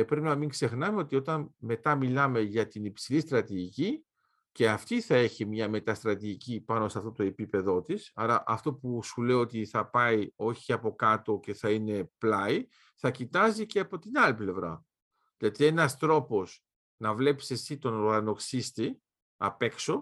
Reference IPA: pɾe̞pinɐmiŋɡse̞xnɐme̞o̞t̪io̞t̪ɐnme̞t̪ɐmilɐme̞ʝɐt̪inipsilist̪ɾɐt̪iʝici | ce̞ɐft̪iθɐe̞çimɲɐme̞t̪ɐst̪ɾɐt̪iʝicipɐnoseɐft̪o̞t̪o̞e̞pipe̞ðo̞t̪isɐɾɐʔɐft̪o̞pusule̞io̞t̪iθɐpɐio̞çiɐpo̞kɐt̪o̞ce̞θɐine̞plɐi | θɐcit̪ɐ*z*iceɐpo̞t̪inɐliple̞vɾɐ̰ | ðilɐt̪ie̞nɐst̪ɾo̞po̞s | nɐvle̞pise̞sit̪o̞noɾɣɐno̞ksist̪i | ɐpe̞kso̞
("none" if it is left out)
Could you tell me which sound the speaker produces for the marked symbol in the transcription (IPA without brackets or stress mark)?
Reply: z